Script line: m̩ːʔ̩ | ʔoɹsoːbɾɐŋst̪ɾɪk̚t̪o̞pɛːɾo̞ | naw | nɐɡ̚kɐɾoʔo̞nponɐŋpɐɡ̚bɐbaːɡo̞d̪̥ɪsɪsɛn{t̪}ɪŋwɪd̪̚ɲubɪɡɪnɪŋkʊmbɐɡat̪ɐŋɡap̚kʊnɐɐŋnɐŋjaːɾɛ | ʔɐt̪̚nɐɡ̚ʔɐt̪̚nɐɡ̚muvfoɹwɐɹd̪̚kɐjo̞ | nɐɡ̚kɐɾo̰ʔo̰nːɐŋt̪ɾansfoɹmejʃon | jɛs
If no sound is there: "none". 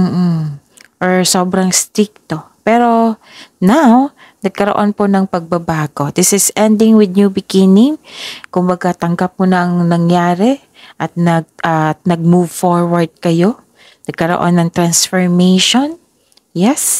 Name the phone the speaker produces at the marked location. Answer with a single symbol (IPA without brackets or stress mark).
d̪